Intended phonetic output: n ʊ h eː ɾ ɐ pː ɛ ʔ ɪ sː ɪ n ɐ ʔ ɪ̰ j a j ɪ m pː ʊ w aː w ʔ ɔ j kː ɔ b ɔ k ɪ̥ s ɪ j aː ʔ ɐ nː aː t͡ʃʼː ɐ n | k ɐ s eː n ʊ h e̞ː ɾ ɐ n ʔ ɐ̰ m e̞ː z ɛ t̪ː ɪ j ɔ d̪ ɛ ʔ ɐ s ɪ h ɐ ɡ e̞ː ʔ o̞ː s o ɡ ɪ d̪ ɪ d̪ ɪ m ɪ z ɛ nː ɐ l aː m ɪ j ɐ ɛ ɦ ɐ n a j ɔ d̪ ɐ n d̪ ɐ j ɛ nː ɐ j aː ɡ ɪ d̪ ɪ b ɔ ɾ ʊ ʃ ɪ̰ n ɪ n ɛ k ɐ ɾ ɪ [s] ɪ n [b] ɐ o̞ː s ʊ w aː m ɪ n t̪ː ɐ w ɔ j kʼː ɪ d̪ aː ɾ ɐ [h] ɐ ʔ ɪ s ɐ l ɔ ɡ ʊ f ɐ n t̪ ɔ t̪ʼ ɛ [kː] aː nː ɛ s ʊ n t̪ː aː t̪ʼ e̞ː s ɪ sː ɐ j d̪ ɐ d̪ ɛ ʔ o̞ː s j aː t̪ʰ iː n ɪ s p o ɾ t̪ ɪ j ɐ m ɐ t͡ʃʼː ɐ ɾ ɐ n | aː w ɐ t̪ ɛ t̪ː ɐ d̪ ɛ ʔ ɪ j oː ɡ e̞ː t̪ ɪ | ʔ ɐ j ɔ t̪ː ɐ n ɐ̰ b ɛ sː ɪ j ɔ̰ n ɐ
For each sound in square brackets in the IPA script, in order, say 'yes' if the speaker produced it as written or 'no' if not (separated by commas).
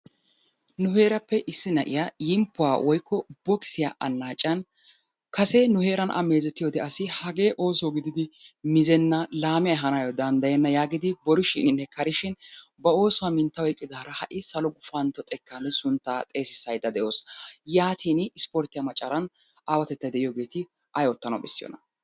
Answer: no, yes, yes, yes